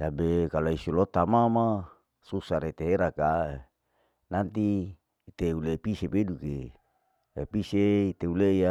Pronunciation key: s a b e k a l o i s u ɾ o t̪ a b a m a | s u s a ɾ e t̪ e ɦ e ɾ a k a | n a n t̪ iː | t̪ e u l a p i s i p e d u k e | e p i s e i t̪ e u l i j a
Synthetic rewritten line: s a b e k a l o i s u l o t̪ a m a m a | s u s a ɾ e t̪ e ɦ e ɾ a k a | n a n t̪ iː | t̪ e u l e p i s e p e d u k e | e p i s e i t̪ e u l e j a